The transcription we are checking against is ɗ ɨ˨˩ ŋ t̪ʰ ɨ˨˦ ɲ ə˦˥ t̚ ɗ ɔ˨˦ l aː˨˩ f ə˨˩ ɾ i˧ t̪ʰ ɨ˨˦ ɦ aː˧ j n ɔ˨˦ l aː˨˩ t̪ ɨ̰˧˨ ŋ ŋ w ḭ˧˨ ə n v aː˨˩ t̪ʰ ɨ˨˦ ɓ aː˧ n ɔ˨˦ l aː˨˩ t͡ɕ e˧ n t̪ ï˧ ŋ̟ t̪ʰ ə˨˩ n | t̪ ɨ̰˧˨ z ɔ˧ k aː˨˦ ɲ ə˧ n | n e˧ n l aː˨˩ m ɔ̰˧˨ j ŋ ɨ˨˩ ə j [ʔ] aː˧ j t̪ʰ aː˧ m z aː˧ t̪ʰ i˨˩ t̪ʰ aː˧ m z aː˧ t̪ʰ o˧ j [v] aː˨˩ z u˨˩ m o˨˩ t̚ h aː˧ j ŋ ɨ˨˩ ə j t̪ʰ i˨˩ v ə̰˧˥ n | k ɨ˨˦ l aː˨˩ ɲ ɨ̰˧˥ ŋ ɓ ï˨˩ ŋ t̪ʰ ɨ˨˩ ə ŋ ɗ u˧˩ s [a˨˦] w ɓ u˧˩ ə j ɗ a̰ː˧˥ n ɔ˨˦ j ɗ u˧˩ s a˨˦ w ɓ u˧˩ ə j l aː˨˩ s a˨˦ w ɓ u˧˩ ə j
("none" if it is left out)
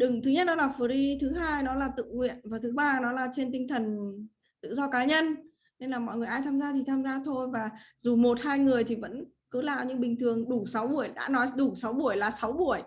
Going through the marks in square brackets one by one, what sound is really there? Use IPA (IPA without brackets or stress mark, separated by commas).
ʔ, v, a˨˦